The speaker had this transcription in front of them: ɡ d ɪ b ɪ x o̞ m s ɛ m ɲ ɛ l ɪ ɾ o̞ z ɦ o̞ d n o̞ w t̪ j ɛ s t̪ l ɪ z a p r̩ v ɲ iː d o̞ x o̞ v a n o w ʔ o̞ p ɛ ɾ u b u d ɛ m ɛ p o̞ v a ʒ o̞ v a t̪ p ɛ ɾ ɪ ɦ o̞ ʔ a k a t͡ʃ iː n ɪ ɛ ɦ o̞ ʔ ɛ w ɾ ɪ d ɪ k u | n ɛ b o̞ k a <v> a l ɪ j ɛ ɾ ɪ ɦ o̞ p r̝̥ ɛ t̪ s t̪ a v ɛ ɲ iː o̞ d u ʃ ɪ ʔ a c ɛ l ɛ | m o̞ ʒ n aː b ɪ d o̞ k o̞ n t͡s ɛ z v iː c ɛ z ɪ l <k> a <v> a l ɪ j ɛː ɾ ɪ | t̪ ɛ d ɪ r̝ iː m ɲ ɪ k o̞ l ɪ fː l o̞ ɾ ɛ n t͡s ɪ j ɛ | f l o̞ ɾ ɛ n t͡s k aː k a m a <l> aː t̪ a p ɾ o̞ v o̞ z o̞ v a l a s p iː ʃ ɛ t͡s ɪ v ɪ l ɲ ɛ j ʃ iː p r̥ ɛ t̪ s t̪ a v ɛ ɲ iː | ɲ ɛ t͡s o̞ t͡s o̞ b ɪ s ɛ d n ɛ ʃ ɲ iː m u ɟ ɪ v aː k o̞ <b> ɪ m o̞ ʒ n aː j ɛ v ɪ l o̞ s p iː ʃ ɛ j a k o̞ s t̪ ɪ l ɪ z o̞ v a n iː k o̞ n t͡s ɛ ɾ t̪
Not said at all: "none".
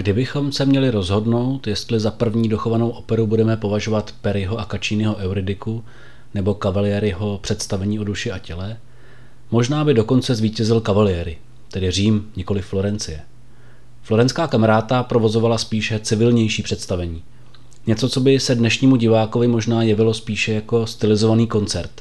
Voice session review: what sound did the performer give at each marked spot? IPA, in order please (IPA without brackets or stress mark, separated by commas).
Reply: v, k, v, ɾ, v